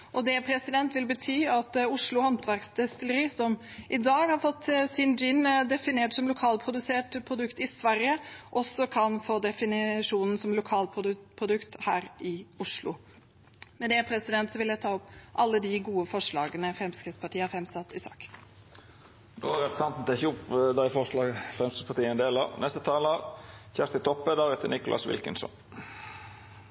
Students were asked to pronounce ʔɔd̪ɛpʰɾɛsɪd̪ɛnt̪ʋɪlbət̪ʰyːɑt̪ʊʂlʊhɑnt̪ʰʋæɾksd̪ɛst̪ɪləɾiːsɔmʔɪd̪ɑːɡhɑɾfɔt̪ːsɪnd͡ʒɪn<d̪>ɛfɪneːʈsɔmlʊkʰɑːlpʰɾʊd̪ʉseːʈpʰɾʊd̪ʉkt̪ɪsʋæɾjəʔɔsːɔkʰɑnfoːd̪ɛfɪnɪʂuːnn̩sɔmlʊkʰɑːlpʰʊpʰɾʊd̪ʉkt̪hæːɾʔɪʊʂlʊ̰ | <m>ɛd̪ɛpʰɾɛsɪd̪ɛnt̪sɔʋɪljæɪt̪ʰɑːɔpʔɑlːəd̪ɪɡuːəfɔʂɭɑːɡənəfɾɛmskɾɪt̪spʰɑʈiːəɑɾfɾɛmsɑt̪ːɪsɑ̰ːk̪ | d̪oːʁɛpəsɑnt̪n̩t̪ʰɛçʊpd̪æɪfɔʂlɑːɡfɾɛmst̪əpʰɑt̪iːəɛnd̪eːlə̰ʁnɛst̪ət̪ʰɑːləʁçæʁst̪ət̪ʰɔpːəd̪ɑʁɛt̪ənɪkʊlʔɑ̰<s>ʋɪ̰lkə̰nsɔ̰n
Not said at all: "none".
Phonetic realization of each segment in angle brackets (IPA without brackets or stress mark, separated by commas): d̪, m, s